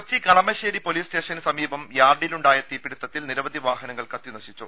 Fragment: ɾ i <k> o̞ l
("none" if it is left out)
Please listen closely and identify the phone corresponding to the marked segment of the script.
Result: p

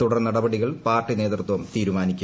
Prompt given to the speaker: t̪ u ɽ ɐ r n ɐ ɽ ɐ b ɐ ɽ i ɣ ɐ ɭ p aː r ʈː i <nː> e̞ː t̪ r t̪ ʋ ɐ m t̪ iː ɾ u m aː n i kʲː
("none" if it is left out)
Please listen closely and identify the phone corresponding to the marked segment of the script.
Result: n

